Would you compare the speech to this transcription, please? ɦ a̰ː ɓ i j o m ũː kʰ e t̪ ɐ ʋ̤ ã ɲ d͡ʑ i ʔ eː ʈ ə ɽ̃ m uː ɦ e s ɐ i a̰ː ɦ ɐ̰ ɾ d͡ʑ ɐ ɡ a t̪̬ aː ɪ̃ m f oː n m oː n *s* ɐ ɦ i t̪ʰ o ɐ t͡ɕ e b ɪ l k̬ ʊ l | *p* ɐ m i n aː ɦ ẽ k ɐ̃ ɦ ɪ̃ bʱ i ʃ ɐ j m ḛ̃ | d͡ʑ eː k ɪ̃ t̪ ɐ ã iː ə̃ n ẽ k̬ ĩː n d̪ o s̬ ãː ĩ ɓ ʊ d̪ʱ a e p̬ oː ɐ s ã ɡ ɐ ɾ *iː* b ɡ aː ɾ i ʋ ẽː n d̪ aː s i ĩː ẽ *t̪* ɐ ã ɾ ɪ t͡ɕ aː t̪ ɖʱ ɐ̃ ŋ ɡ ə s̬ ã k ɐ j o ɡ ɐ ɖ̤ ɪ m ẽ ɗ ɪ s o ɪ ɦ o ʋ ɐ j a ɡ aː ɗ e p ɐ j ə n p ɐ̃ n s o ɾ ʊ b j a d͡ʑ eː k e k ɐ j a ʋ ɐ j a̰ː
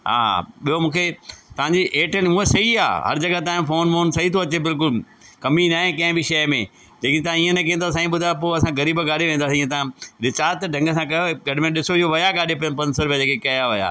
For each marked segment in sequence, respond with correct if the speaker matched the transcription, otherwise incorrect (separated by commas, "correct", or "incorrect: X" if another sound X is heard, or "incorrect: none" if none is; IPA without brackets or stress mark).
correct, incorrect: k, correct, correct